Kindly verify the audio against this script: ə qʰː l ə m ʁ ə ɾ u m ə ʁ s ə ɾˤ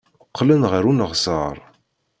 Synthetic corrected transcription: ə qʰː l ə n ʁ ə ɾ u n ə ʁ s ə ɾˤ